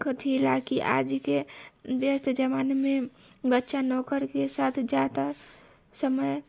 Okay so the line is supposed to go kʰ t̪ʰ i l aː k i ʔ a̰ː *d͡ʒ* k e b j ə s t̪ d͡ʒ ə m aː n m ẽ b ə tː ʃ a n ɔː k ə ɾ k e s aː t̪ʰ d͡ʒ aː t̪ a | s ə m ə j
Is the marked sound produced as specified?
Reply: yes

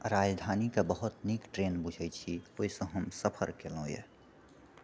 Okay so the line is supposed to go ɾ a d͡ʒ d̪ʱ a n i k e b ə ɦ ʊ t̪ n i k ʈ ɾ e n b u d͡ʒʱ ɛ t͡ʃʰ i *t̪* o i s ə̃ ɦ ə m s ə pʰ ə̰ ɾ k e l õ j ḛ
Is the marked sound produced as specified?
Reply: no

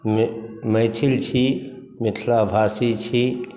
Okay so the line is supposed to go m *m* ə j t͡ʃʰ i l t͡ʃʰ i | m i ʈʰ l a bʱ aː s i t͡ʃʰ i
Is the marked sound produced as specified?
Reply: yes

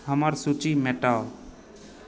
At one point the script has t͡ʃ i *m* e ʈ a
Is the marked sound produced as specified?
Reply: yes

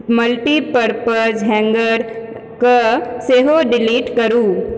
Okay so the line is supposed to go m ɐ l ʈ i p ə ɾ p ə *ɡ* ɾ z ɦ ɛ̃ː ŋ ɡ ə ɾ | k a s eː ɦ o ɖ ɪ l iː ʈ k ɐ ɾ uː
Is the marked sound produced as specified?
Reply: no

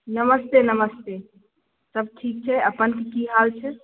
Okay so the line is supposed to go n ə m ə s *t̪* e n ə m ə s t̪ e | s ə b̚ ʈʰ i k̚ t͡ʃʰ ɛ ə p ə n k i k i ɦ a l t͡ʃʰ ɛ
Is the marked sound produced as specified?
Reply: yes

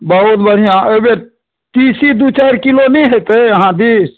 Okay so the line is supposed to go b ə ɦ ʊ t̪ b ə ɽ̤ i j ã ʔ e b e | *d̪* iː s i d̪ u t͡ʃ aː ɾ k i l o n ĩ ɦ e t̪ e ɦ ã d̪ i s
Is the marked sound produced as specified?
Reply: no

